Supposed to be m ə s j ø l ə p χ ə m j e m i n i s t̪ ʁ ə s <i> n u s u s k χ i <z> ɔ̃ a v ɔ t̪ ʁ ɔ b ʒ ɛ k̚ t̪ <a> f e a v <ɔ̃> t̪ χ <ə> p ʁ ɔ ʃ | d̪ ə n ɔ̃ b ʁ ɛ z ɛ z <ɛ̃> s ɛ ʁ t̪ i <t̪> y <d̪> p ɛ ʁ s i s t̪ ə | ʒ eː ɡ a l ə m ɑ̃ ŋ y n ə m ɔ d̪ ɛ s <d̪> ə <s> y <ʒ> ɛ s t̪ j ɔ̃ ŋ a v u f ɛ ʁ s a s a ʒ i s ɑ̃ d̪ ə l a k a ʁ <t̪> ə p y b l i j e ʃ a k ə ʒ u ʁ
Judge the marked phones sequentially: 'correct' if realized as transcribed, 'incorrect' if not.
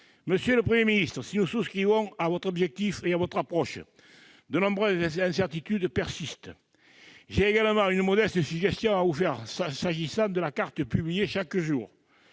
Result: correct, incorrect, incorrect, incorrect, incorrect, correct, correct, correct, incorrect, correct, correct, correct

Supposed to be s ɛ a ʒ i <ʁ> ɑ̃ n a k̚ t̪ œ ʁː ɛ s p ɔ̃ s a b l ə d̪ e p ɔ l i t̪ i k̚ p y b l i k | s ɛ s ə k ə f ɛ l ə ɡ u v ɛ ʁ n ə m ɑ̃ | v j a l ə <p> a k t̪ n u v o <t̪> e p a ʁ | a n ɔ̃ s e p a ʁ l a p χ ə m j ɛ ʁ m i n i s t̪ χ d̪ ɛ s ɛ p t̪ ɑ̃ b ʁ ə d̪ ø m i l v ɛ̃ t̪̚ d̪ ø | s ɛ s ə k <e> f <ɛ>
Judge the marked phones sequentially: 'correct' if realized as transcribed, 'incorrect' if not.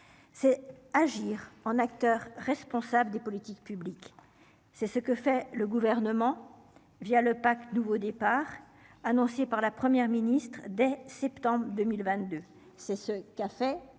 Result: correct, correct, incorrect, incorrect, correct

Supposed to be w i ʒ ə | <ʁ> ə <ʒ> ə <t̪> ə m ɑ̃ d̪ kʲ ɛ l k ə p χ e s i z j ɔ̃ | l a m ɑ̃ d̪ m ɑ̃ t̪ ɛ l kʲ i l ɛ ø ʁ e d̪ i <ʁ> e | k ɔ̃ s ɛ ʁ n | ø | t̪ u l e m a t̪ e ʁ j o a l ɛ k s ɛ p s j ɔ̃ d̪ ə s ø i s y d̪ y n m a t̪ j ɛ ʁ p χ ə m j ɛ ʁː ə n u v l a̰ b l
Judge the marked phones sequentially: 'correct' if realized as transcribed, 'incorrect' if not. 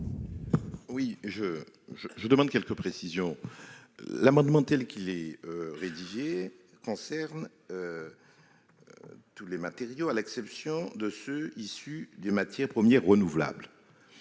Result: incorrect, correct, incorrect, incorrect

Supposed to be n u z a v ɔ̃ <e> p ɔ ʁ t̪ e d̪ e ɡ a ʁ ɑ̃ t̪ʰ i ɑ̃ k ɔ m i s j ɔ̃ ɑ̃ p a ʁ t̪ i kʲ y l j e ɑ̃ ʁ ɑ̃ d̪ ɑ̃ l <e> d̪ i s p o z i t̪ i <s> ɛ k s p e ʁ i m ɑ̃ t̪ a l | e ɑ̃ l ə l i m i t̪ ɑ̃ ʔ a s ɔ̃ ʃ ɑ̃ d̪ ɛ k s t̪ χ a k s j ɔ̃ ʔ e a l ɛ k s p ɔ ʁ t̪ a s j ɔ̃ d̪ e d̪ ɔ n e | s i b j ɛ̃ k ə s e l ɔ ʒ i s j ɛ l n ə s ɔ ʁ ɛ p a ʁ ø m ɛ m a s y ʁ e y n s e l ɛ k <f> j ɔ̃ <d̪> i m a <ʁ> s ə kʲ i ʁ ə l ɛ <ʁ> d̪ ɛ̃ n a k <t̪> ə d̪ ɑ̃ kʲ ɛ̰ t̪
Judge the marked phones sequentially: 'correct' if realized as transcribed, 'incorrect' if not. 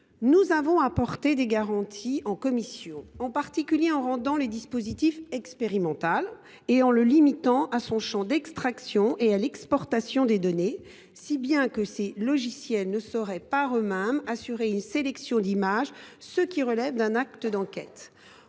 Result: incorrect, correct, incorrect, incorrect, correct, incorrect, incorrect, correct

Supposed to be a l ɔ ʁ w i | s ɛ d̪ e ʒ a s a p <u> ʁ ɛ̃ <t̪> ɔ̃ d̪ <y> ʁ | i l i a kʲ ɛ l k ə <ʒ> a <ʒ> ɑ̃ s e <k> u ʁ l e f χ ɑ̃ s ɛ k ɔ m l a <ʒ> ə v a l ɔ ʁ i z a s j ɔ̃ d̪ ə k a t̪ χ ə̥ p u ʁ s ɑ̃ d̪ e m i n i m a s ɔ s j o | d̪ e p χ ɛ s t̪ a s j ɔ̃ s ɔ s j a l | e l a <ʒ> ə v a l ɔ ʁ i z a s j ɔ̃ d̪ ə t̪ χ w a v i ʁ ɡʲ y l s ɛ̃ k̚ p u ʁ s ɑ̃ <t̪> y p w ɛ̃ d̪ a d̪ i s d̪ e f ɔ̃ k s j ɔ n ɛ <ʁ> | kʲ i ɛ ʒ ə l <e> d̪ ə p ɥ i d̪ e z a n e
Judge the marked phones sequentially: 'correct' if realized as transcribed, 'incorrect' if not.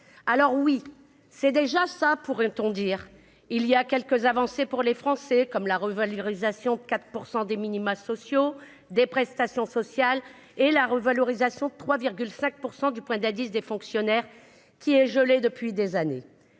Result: correct, correct, incorrect, incorrect, incorrect, incorrect, incorrect, incorrect, incorrect, correct, correct

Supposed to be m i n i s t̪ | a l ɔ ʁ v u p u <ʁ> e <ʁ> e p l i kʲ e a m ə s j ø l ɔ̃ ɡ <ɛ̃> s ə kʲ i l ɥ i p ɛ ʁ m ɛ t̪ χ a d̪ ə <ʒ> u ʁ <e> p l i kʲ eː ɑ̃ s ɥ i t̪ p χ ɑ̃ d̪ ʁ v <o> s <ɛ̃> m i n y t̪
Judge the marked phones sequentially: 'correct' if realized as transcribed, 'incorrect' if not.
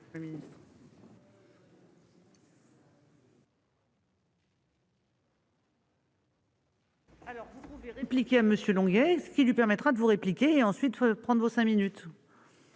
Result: incorrect, correct, incorrect, incorrect, correct, correct, correct

